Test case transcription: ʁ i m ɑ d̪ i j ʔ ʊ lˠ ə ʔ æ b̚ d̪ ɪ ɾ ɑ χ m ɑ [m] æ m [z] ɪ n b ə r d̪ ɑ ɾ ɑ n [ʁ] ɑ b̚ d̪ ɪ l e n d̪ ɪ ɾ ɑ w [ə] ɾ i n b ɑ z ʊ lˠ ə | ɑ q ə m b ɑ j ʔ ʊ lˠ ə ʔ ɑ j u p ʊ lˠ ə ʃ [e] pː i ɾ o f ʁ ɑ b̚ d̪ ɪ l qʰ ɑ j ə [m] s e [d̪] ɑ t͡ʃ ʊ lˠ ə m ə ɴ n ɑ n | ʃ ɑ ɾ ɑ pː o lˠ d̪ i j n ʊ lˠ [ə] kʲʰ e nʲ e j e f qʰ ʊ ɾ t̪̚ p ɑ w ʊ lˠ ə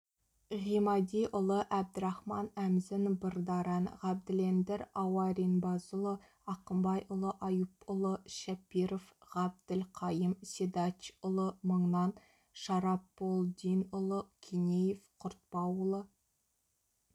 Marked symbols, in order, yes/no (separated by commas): no, yes, yes, no, no, yes, yes, yes